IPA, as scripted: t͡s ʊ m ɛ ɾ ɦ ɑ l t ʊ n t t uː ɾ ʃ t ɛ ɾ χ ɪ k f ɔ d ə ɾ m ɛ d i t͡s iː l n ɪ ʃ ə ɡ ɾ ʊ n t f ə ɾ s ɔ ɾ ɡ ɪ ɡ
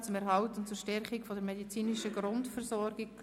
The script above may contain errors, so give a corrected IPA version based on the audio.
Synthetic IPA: t͡s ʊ m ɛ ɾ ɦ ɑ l t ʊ n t t͡s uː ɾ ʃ t ɛ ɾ χ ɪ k f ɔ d ə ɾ m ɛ d i t͡s iː n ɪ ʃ ə ɡ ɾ ʊ n t f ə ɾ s ɔ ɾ ɡ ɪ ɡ